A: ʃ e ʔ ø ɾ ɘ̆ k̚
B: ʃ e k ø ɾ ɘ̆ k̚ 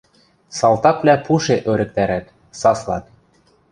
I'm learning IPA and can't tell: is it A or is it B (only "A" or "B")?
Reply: A